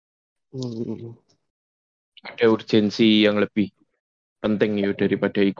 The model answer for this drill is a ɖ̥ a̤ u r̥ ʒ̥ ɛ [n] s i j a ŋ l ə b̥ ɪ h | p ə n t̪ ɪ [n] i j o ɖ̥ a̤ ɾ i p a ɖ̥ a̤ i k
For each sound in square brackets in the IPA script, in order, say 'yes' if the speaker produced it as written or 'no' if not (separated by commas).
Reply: yes, no